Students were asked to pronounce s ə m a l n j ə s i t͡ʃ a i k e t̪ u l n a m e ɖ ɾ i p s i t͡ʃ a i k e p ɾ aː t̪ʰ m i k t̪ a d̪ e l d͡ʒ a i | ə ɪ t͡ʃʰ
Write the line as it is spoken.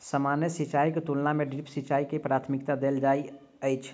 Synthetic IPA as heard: s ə m a n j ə s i t͡ʃ a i k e t̪ u l n a m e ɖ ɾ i p s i t͡ʃ a i k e p ɾ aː t̪ʰ m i k t̪ a d̪ e l d͡ʒ a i | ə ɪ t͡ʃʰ

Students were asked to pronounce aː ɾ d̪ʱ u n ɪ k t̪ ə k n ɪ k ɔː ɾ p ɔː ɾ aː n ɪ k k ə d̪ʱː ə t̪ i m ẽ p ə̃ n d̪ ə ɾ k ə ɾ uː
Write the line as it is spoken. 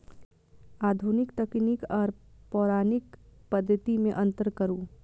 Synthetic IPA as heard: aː d̪ʱ u n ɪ k t̪ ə k n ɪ k ɔː ɾ p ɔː ɾ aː n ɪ k p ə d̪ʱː ə t̪ i m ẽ ʔ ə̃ n t̪ ə ɾ k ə ɾ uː

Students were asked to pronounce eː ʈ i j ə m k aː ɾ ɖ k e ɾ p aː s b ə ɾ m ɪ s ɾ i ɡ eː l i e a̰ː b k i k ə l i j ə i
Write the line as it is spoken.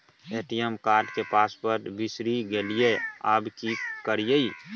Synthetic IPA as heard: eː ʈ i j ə m k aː ɾ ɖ k e p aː s p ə ɾ b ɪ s ɾ i ɡ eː l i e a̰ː b k i k ə ɾ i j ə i

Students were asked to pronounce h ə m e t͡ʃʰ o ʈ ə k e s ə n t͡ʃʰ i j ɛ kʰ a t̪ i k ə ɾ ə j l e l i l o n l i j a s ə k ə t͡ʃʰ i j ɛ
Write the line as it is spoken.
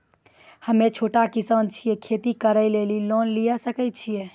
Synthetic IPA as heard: h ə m e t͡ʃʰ o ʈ a k i s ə n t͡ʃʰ i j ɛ kʰ e t̪ i k ə ɾ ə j l e l i l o n l i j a s ə k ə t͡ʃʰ i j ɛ

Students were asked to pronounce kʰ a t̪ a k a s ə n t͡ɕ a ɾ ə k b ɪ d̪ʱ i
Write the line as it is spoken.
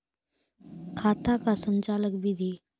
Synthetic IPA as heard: kʰ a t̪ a k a s ə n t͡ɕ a l ə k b i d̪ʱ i

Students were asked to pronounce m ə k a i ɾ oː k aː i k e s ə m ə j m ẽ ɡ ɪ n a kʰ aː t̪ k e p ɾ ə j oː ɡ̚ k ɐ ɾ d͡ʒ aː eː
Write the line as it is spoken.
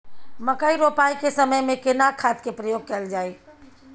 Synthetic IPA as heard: m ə k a i ɾ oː p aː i k e s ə m ə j m ẽ k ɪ n a kʰ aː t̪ k e p ɾ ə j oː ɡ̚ k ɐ l d͡ʒ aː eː

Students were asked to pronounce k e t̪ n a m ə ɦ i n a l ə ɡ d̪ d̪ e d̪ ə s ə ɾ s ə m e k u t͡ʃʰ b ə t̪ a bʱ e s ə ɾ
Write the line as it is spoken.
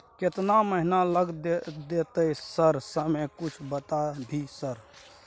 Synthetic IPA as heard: k e t̪ n a m ə ɦ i n a l ə ɡ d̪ d̪ e t̪ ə s ə ɾ s ə m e k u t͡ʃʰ b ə t̪ a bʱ i s ə ɾ

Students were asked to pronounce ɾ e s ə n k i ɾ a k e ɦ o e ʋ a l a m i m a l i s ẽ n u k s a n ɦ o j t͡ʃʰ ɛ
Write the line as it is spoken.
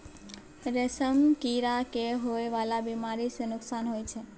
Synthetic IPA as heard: ɾ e s ə m k i ɾ a k e ɦ o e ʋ a l a b i m a ɾ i s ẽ n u k s a n ɦ o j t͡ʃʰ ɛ

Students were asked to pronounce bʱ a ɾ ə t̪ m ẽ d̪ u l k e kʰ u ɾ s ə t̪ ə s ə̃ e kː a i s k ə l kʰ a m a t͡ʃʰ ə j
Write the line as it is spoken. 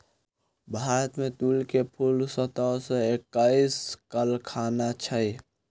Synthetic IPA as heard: bʱ a ɾ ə t̪ m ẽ t̪ u l k e pʰ u l s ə t̪ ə s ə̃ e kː a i s k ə l kʰ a n a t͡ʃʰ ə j

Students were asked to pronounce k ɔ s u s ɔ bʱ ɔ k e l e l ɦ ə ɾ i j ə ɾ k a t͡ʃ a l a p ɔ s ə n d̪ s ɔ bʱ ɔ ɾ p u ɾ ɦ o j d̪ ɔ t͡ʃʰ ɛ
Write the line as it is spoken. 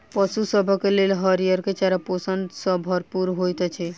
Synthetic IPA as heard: p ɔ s u s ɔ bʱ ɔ k e l e l ɦ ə ɾ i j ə ɾ k e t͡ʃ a ɾ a p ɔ s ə n d̪ s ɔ bʱ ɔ ɾ p u ɾ ɦ o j t̪ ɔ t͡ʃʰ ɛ

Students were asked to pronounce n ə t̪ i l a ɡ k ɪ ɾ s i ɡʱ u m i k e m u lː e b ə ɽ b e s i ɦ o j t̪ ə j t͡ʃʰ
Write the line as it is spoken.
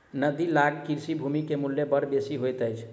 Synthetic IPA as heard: n ə d̪ i l a ɡ k i ɾ s i bʱ u m i k e m u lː e b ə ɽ b e s i ɦ o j t̪ ə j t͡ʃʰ

